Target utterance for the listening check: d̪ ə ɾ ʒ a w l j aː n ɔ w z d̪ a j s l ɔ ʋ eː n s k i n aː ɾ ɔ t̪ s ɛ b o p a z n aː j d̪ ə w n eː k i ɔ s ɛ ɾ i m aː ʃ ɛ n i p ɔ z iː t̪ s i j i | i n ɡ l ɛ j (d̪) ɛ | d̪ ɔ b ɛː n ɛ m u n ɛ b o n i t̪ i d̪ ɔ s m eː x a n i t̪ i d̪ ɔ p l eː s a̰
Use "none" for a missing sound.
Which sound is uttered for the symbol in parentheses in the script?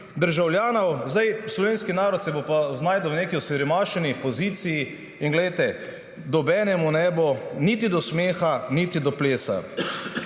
t̪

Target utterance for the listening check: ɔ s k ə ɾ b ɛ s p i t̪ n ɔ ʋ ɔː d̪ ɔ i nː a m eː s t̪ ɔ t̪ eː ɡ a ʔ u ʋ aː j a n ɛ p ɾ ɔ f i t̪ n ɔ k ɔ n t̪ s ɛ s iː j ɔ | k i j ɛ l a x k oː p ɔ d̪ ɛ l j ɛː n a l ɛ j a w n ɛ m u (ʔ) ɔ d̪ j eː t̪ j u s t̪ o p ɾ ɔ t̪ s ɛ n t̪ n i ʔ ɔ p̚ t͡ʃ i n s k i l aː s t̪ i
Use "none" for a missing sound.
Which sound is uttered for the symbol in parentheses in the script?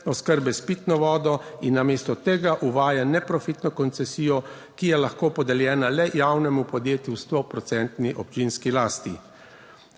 p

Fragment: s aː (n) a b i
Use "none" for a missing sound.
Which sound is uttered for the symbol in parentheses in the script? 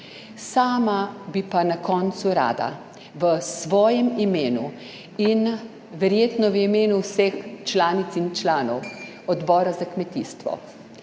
m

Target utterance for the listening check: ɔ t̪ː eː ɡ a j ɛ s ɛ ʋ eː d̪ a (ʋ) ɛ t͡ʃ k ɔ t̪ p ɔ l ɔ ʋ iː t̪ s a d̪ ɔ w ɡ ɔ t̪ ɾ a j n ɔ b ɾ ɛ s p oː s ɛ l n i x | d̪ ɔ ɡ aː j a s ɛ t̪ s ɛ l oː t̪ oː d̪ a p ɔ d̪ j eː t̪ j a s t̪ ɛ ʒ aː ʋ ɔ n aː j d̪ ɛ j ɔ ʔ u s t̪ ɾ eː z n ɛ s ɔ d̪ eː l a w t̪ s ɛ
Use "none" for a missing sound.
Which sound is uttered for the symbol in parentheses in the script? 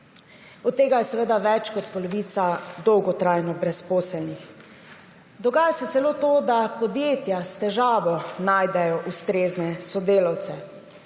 ʋ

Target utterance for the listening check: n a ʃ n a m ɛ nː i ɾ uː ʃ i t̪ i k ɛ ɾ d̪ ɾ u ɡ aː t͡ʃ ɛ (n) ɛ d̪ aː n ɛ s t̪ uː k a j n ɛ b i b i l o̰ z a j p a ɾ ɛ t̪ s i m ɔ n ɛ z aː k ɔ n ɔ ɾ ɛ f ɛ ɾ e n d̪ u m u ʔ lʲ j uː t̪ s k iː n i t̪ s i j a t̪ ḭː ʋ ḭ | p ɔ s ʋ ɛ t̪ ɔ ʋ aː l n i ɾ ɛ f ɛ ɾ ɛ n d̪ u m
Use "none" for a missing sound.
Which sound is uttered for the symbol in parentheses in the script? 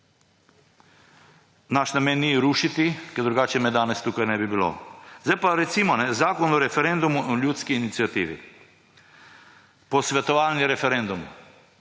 m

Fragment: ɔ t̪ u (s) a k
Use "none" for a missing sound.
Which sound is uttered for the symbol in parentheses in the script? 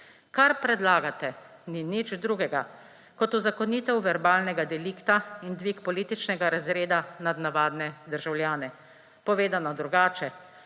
z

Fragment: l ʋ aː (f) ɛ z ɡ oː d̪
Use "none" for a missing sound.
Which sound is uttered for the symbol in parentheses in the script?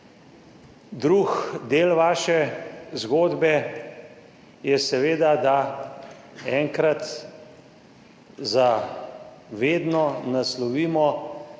ʃ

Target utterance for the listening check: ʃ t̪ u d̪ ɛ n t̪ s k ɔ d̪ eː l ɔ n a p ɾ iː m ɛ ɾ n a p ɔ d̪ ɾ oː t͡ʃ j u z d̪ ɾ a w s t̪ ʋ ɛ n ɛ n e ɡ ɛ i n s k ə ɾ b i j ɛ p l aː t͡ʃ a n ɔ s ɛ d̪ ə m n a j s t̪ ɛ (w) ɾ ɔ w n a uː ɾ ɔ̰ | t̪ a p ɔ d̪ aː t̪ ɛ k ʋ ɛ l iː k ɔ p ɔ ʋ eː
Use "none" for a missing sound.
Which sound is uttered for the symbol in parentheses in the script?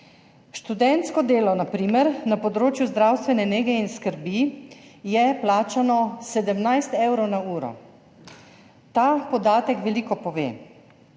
w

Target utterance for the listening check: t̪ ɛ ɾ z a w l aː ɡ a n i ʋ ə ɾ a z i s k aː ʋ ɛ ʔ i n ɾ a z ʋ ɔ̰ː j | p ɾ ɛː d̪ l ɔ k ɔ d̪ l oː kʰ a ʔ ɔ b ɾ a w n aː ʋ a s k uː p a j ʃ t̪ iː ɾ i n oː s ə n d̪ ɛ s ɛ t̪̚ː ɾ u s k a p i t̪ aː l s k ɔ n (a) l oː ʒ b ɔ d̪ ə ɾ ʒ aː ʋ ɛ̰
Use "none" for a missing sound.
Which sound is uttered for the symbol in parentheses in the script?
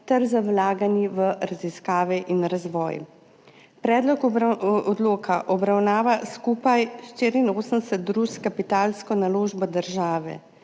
a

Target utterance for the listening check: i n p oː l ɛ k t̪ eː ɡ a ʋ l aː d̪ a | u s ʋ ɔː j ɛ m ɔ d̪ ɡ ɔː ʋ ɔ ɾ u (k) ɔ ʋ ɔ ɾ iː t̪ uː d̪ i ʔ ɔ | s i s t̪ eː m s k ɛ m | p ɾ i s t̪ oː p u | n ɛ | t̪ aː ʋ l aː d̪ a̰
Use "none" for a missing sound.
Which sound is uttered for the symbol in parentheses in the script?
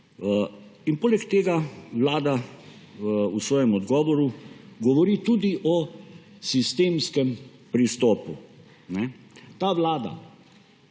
ɡ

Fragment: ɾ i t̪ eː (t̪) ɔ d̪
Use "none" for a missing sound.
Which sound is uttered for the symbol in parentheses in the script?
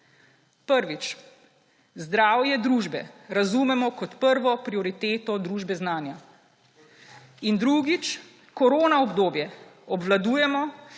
t̪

